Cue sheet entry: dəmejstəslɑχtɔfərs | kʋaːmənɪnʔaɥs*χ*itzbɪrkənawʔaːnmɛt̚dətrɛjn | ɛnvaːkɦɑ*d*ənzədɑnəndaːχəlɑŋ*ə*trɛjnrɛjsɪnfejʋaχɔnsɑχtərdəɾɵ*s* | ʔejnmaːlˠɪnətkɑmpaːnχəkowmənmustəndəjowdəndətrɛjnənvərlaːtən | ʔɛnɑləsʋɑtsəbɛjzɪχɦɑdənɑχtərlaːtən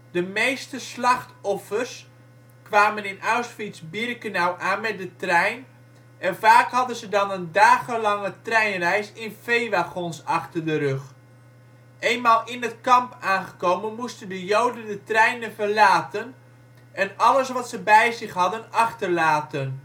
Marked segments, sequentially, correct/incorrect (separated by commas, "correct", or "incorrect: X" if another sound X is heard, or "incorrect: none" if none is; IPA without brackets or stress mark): incorrect: f, correct, correct, incorrect: χ